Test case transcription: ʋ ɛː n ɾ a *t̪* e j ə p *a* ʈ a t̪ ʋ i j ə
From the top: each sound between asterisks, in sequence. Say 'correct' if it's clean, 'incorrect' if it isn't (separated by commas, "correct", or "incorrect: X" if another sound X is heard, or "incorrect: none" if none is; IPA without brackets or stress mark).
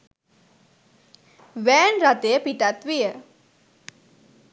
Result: correct, incorrect: i